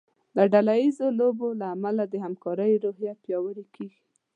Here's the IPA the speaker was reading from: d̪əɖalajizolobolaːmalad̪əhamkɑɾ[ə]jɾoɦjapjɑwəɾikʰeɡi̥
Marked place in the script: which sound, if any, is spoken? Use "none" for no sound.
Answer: ə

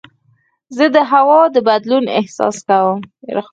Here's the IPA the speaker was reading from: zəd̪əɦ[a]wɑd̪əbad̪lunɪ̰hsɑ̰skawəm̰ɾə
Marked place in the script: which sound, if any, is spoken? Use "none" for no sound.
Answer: a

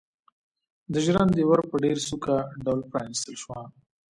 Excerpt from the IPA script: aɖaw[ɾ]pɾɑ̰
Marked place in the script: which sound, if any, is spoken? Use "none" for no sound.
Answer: l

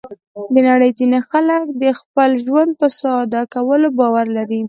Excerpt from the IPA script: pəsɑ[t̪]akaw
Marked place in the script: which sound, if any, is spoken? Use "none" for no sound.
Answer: d̪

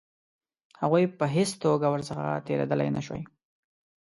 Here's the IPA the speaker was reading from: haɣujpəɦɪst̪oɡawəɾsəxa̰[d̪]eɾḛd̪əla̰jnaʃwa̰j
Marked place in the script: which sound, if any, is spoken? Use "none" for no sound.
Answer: t̪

